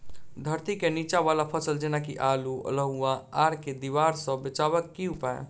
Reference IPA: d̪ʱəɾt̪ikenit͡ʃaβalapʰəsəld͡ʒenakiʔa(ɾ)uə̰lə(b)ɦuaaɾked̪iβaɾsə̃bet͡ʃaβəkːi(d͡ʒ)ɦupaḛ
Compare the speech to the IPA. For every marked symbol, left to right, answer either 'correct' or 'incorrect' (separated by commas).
incorrect, incorrect, incorrect